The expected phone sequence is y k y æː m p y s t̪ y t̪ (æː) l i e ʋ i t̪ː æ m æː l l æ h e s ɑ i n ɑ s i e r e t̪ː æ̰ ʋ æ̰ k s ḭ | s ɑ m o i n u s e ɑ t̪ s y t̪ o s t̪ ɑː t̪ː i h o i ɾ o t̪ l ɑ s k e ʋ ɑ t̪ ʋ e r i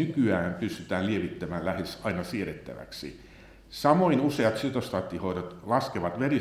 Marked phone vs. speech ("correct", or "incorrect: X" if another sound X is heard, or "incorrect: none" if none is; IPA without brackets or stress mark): correct